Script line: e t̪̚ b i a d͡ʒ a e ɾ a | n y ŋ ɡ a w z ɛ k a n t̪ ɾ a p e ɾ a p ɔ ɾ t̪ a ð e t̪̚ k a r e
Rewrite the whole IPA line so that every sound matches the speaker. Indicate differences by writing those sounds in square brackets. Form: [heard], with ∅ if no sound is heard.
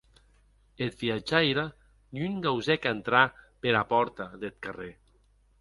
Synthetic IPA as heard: e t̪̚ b i a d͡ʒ a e ɾ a | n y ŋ ɡ a w z ɛ k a n t̪ ɾ a p e ɾ a p ɔ ɾ t̪ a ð e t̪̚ k a r e